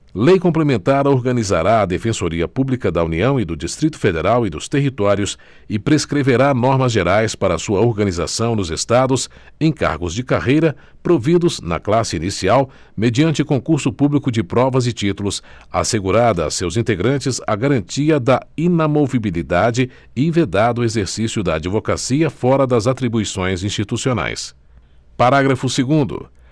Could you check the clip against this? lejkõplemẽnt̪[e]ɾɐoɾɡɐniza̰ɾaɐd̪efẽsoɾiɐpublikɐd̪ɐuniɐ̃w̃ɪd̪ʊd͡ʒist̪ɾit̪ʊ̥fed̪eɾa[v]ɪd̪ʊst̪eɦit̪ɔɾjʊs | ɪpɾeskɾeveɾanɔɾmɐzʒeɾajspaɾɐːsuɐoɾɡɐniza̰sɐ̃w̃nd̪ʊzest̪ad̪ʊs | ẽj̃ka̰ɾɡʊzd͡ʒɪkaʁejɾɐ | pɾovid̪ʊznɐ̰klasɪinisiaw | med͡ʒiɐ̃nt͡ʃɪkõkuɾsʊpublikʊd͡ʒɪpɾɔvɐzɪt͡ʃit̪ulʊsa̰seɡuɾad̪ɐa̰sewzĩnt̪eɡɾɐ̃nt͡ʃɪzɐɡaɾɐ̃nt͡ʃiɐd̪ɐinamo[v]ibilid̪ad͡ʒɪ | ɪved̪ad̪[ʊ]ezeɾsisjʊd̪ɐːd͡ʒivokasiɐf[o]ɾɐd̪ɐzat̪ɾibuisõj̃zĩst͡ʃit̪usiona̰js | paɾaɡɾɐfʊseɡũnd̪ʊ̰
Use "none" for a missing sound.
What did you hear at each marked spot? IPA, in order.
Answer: a, w, v, ʊ, ɔ

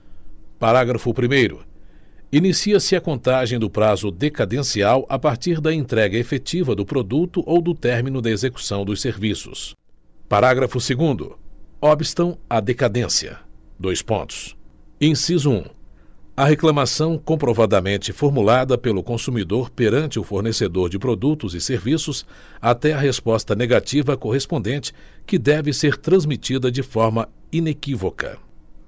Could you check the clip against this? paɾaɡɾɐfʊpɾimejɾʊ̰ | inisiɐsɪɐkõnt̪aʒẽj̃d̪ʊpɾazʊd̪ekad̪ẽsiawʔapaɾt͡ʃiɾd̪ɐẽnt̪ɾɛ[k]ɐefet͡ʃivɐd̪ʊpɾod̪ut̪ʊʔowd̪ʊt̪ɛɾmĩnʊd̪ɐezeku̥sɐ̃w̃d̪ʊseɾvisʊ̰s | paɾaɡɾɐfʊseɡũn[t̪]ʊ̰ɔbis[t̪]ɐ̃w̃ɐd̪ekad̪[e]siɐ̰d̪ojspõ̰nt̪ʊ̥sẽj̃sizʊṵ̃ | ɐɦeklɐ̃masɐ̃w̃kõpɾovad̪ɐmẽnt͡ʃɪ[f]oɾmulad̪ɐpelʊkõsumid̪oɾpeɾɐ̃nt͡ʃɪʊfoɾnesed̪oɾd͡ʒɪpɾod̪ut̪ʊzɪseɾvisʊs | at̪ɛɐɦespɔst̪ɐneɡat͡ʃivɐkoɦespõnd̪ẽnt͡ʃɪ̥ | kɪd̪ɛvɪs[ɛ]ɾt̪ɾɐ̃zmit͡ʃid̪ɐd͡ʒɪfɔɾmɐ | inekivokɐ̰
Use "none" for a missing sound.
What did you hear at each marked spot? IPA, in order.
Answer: ɡ, d̪, t̪, ẽ, f, e

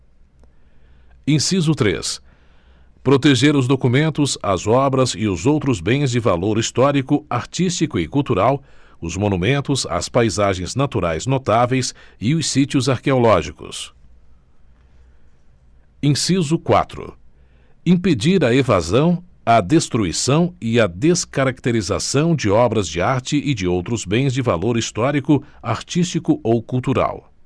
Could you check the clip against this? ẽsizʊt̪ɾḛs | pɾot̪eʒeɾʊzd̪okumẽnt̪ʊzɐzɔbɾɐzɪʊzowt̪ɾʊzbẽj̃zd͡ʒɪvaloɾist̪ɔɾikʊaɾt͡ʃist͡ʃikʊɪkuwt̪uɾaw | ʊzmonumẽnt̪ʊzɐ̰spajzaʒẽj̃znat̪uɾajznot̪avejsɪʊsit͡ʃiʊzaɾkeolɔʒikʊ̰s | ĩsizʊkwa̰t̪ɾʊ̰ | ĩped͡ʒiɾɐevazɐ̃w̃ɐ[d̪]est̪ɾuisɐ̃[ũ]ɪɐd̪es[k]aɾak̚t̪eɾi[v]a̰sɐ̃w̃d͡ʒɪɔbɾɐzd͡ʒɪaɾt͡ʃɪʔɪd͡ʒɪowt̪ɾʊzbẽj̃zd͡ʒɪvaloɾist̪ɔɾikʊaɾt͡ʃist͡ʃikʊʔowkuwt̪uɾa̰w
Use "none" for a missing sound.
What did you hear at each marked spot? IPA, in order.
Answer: d̪, w̃, k, z

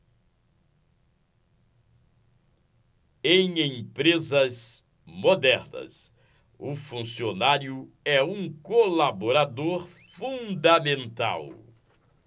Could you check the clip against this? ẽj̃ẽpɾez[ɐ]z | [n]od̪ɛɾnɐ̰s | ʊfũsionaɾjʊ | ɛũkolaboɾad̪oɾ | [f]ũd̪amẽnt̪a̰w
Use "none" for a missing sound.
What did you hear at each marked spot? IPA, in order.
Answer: ɐ, m, f

